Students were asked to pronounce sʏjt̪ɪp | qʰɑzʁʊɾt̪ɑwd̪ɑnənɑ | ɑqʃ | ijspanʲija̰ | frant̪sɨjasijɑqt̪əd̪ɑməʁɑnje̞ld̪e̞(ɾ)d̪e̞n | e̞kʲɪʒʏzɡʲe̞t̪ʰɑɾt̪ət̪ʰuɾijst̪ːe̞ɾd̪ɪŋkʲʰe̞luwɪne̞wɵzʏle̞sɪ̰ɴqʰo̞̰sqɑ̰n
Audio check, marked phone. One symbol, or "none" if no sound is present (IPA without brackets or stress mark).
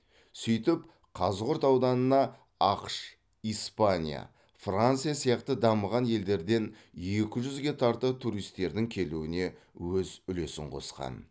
ɾ